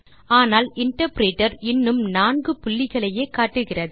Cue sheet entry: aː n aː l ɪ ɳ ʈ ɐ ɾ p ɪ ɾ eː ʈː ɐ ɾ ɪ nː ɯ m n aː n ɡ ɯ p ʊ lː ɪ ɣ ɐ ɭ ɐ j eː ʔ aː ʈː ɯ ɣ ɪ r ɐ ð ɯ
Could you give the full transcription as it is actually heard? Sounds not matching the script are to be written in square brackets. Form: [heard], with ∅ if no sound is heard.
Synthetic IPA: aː n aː l ɪ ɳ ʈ ɐ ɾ p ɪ ɾ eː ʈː ɐ ɾ ɪ nː ɯ m n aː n ɡ ɯ p ʊ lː ɪ ɣ ɐ ɭ ɐ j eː [k] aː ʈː ɯ ɣ ɪ r ɐ ð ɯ